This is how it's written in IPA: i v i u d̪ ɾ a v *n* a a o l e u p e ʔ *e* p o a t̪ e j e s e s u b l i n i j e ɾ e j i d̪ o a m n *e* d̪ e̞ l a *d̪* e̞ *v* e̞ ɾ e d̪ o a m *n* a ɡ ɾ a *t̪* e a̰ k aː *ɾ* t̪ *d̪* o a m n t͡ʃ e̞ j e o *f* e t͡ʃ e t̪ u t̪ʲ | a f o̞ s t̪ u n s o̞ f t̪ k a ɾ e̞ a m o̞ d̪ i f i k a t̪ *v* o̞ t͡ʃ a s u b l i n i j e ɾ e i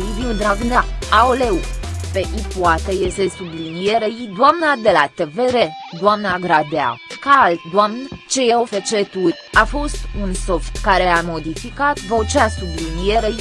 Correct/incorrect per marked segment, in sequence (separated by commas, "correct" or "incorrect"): correct, incorrect, incorrect, incorrect, correct, correct, incorrect, incorrect, correct, correct, correct